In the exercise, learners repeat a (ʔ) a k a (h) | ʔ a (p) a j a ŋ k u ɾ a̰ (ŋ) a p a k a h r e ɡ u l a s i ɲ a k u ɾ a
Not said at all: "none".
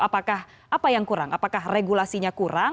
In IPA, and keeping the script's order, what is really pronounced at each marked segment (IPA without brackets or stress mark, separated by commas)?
p, h, p, ŋ